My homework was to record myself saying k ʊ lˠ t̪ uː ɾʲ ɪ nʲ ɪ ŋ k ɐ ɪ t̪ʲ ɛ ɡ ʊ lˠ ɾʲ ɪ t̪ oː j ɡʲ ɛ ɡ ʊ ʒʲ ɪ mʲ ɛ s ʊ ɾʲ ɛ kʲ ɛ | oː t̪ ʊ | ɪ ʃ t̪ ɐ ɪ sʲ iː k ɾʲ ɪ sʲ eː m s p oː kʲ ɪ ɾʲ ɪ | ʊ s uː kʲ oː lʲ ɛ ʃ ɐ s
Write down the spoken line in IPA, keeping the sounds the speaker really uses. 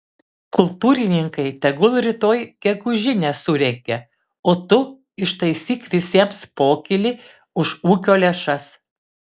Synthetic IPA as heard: k ʊ lˠ t̪ uː ɾʲ ɪ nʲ ɪ ŋ k ɐ ɪ t̪ʲ ɛ ɡ ʊ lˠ ɾʲ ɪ t̪ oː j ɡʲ ɛ ɡ ʊ ʒʲ ɪ nʲ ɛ s ʊ ɾʲ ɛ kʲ ɛ | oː t̪ ʊ | ɪ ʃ t̪ ɐ ɪ sʲ iː k lʲ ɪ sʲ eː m s p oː kʲ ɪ lʲ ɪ | ʊ ʃ uː kʲ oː lʲ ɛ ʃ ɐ s